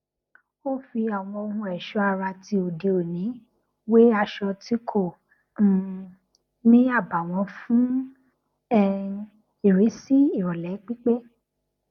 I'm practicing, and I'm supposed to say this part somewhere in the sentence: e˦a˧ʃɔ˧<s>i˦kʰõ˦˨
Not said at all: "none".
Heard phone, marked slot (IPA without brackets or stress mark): t